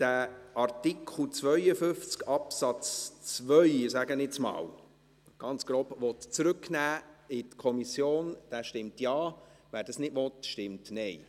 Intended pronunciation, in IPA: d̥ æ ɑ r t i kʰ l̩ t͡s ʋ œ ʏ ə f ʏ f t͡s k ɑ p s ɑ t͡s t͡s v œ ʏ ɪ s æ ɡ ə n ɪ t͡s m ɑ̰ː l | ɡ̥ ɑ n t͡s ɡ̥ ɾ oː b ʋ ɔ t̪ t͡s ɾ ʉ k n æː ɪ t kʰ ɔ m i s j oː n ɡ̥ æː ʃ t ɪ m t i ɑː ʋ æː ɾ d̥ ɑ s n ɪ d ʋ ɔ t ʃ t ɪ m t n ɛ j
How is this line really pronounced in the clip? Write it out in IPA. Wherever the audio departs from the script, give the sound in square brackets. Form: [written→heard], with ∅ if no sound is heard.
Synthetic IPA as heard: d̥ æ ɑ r t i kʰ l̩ t͡s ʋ œ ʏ ə f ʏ f t͡s k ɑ p s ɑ t͡s t͡s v œ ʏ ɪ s æ ɡ ə n ɪ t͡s m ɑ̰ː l | ɡ̥ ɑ n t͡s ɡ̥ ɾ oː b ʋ ɔ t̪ t͡s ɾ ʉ k n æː ɪ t kʰ ɔ m i s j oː n [ɡ̥→d̥] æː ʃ t ɪ m t [i→j] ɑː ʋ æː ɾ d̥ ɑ s n ɪ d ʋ ɔ t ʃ t ɪ m t n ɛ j